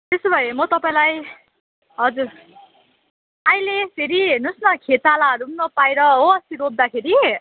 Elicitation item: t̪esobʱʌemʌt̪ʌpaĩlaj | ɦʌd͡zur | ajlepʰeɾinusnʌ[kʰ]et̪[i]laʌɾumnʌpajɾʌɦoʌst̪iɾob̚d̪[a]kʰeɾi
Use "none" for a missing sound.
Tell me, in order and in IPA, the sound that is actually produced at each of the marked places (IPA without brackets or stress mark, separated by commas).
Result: kʰ, a, a